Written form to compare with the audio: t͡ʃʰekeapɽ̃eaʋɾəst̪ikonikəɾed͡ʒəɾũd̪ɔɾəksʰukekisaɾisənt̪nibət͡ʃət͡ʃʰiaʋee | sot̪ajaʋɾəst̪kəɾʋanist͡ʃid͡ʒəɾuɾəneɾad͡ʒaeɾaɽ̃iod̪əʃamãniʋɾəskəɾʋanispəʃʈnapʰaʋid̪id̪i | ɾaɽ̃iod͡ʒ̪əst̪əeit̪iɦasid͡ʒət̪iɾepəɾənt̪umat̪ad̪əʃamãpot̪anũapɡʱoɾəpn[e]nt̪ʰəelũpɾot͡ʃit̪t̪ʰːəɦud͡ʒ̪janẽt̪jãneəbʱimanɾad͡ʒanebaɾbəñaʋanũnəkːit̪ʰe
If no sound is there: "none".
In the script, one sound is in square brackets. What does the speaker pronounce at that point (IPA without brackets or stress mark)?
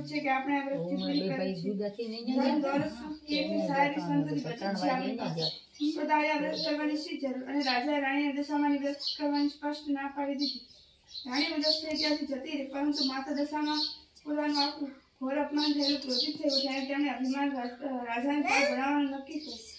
a